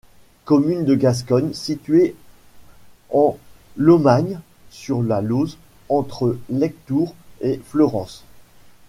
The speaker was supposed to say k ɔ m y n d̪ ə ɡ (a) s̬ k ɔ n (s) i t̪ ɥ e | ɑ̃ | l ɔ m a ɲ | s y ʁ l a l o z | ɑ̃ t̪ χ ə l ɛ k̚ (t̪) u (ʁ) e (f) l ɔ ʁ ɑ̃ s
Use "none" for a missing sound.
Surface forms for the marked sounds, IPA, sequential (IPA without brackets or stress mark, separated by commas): a, s, t̪, ʁ, f